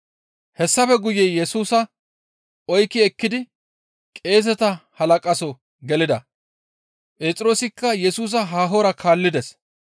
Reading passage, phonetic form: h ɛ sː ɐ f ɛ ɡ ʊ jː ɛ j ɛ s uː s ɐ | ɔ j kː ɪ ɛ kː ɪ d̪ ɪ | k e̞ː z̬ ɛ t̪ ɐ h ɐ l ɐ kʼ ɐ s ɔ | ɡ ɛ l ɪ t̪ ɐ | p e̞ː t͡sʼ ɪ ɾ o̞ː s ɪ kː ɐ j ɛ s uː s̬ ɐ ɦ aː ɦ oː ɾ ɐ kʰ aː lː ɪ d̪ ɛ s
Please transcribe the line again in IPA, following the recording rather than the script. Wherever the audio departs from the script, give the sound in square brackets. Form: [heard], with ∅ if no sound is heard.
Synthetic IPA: h ɛ sː ɐ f ɛ ɡ ʊ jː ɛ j ɛ s uː s ɐ | ɔ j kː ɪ ɛ kː ɪ d̪ ɪ | [kʼ] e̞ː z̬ ɛ t̪ ɐ h ɐ l ɐ kʼ ɐ s ɔ | ɡ ɛ l ɪ [d̪] ɐ | [pʼ] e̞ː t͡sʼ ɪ ɾ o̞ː s ɪ kː ɐ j ɛ s uː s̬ ɐ ɦ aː ɦ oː ɾ ɐ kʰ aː lː ɪ d̪ ɛ s